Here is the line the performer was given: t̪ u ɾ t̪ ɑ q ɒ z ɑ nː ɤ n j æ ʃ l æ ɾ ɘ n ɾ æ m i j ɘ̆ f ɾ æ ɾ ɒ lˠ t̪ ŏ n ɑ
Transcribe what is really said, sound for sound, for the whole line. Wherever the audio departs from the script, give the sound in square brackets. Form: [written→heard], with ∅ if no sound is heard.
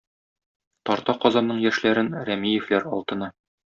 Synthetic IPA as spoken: t̪ [u→ɒ] ɾ t̪ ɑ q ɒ z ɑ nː ɤ [n→ɴ] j æ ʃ l æ ɾ ɘ n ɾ æ m i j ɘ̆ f [ɾ→l] æ ɾ ɒ lˠ t̪ [ŏ→ɤ̆] n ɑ